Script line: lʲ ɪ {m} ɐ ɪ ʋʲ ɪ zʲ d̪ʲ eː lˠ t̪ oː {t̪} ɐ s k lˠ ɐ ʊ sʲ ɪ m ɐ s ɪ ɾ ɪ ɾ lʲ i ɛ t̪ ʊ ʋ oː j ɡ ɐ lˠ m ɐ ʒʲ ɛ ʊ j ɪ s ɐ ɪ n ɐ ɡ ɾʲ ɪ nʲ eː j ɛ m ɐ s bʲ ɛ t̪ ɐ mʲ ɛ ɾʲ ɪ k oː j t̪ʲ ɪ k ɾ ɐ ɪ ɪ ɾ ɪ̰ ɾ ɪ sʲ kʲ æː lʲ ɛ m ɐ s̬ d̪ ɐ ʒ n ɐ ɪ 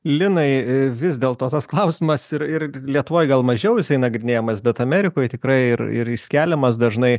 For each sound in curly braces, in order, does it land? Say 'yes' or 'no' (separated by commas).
no, yes